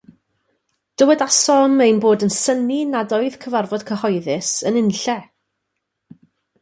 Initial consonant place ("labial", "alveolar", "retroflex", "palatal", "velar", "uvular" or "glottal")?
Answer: alveolar